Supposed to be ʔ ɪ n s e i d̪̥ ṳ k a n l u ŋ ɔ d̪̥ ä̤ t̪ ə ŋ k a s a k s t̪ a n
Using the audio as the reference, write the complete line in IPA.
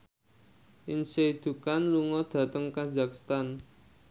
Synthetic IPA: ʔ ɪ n s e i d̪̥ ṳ k a n l u ŋ ɔ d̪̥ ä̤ t̪ ə ŋ k a z a k s t̪ a n